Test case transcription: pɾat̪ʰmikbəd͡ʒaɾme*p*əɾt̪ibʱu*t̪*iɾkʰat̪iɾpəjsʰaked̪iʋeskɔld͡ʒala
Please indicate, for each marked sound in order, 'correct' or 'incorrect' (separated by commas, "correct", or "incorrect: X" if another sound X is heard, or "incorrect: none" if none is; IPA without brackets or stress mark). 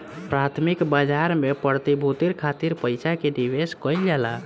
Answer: correct, correct